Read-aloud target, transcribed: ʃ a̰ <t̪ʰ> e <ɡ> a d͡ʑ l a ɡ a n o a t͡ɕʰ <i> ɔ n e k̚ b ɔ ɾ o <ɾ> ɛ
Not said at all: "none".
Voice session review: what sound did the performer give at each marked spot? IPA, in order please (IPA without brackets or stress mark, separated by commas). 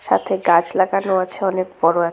t̪ʰ, ɡ, e, none